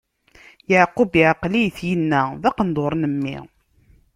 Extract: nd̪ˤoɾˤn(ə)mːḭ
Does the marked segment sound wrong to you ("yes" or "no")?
no